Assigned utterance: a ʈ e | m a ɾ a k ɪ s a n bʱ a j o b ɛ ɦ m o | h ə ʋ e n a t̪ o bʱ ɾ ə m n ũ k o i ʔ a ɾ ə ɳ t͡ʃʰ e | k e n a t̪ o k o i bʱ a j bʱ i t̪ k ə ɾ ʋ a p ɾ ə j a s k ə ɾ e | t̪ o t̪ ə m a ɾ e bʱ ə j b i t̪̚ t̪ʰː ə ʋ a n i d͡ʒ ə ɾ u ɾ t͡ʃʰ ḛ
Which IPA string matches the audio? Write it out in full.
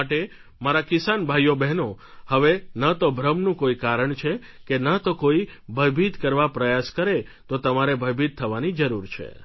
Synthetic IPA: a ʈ e | m a ɾ a k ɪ s a n bʱ a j o b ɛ ɦ n o | h ə ʋ e n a t̪ o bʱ ɾ ə m n ũ k o i k a ɾ ə ɳ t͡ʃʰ e | k e n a t̪ o k o i bʱ ə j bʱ i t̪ k ə ɾ ʋ a p ɾ ə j a s k ə ɾ e | t̪ o t̪ ə m a ɾ e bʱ ə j b i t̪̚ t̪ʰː ə ʋ a n i d͡ʒ ə ɾ u ɾ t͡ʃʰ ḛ